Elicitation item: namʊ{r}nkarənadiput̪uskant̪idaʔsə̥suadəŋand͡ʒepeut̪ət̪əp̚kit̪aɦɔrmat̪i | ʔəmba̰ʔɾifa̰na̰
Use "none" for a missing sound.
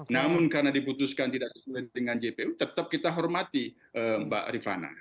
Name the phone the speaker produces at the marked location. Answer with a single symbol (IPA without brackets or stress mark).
none